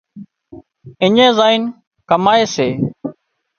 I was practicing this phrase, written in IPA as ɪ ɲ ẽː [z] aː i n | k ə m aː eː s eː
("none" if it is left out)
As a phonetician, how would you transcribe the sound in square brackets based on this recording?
z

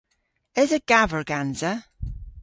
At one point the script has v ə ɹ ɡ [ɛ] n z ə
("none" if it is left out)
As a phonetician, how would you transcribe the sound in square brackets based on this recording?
a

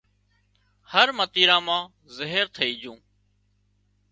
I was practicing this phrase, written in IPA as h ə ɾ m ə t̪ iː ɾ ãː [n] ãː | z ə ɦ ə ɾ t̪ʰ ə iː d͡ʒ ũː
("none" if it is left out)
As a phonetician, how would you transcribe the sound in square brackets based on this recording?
m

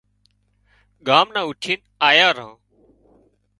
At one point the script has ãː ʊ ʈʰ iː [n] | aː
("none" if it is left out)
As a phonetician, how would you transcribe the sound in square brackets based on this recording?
n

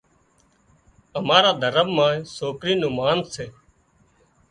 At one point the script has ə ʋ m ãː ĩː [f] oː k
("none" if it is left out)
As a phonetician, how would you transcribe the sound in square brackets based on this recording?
s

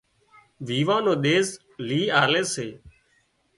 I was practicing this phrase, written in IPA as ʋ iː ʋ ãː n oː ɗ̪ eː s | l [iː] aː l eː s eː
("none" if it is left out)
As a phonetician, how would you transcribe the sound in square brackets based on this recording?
iː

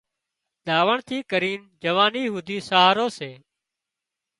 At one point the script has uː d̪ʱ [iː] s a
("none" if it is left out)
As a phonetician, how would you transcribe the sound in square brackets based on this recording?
iː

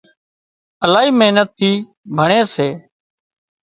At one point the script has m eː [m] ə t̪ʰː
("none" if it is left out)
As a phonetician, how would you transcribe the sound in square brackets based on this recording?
n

